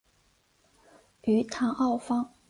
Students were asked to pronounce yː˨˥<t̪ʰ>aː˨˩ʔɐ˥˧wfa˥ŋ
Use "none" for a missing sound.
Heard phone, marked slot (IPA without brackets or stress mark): t̪ʰ